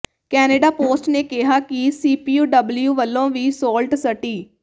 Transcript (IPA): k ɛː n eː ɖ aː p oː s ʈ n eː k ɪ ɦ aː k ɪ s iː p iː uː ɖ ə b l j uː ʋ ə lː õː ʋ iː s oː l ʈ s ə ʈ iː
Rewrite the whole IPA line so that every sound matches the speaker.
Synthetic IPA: k ɛː n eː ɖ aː p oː s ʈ n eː k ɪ ɦ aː k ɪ s iː p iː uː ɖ ə b l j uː ʋ ə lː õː ʋ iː s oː l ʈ s ə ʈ iː